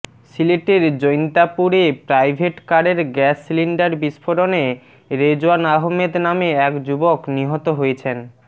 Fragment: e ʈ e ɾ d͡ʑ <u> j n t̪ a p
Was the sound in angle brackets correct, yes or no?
no